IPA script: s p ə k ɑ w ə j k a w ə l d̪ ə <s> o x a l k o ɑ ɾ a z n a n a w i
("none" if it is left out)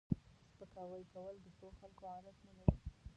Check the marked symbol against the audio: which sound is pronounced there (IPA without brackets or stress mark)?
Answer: s